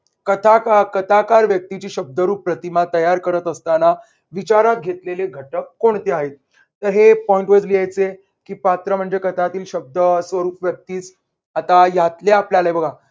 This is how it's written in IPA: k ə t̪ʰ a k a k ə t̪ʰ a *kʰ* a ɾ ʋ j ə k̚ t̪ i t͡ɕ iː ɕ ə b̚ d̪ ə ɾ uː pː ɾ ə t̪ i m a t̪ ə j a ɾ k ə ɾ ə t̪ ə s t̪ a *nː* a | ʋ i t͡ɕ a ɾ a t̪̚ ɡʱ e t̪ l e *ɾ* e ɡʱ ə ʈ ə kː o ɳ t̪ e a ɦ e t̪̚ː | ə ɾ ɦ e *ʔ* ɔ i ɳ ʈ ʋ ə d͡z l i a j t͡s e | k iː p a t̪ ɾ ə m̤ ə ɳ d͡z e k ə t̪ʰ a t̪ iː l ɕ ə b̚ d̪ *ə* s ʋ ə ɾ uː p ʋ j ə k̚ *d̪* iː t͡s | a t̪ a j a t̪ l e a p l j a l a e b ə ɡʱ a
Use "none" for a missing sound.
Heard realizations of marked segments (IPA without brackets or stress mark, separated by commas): k, n, l, p, ə, t̪